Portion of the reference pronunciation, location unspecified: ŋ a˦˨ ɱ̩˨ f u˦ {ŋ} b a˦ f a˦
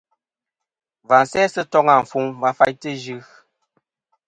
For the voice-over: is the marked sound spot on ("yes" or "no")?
yes